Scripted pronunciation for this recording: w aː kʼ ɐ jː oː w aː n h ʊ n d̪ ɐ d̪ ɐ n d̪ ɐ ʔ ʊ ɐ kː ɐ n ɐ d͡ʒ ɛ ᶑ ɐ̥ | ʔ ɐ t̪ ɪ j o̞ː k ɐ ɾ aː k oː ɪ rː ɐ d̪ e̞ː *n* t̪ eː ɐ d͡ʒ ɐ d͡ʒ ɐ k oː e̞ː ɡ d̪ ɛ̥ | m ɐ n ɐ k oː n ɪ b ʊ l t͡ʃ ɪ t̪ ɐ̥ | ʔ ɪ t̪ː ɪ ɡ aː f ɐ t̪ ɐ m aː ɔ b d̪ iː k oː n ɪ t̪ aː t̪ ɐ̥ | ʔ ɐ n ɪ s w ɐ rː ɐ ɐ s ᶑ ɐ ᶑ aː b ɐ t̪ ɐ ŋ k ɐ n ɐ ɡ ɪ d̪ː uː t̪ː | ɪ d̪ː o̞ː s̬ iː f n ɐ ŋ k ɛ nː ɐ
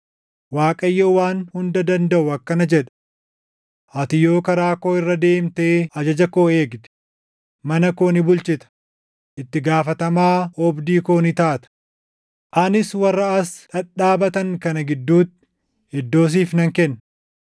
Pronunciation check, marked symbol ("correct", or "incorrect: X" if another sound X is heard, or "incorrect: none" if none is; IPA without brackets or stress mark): incorrect: m